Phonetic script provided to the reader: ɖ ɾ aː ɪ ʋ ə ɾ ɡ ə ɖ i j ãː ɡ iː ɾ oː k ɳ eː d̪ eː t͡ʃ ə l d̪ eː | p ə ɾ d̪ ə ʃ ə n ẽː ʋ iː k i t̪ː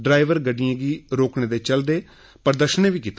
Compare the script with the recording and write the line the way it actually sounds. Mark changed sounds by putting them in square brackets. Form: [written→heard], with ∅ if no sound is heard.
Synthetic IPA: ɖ ɾ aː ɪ ʋ ə ɾ ɡ ə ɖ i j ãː ɡ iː ɾ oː k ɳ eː d̪ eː t͡ʃ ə l d̪ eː | p ə ɾ d̪ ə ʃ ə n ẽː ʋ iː k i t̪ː